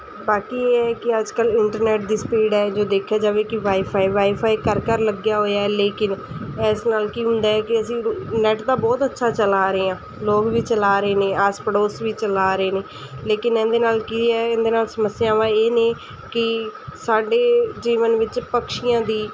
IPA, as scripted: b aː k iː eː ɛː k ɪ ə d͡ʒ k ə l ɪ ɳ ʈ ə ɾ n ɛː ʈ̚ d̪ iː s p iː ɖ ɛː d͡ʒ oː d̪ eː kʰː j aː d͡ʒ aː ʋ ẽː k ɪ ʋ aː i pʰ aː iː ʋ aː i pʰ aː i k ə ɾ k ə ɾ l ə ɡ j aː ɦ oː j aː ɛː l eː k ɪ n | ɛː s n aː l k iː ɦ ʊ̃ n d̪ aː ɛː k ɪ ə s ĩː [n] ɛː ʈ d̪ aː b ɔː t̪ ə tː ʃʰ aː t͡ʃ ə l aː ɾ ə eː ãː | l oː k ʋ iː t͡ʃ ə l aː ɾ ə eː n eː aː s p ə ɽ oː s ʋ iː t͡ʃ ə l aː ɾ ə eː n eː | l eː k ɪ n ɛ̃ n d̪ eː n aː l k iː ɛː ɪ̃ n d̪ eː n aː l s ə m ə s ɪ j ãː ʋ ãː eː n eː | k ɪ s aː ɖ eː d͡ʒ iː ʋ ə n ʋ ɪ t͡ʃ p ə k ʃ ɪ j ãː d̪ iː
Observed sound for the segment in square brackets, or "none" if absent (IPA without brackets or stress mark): n